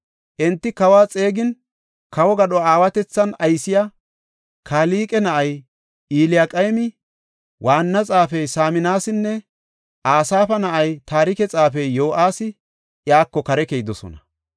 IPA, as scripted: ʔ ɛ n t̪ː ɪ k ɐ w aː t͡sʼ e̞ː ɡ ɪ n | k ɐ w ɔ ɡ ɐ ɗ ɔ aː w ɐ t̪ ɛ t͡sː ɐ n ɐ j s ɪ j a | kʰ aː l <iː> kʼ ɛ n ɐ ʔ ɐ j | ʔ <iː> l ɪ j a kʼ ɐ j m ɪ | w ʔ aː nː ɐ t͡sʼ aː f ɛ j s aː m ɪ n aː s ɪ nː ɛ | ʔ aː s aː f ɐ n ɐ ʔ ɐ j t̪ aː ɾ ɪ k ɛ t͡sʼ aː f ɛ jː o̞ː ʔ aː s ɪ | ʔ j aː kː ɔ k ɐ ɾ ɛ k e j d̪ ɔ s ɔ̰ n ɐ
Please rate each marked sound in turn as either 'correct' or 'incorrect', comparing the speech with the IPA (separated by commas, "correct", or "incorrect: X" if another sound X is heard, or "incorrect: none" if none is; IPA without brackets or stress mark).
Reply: correct, correct